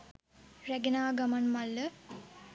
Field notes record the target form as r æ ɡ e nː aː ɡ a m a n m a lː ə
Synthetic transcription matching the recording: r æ ɡ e n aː ɡ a m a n m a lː ə